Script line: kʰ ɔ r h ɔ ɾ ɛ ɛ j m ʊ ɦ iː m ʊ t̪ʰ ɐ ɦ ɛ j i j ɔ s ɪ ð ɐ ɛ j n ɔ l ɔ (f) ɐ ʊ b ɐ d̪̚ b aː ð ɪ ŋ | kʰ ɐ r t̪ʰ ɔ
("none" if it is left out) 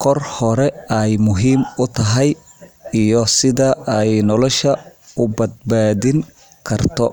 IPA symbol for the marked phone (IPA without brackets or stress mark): ʃ